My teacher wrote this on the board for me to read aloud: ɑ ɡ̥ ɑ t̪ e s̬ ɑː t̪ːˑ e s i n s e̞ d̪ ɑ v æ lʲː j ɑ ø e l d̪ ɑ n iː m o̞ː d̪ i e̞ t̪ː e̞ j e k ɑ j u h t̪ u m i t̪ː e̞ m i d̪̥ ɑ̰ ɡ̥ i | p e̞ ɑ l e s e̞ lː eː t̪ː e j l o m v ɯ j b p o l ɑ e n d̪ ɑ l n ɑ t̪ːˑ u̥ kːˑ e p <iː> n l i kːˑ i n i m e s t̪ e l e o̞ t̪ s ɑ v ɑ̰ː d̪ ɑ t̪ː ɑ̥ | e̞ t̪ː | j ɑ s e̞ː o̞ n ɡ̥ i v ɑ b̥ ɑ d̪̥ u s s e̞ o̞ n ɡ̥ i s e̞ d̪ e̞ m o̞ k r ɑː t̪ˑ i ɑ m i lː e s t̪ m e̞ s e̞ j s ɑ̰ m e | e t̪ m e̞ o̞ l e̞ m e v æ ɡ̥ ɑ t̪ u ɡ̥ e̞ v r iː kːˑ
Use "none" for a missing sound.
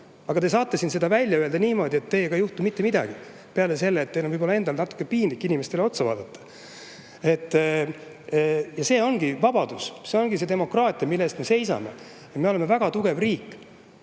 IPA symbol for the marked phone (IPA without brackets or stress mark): iː